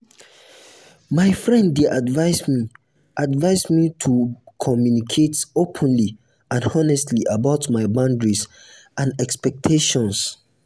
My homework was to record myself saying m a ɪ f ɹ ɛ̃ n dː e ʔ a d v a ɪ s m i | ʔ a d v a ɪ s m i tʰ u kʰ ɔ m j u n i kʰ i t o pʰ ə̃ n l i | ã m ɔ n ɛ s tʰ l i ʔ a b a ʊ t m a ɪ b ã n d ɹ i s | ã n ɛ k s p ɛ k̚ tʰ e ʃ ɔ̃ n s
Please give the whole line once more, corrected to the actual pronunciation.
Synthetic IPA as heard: m a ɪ f ɹ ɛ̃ n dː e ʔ a d v a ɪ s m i | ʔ a d v a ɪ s m i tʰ u kʰ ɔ m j u n i kʰ e t o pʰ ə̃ n l i | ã n ɔ n ɛ s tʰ l i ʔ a b a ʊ t m a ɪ b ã n d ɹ i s | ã n ɛ k s p ɛ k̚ tʰ e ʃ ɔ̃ n s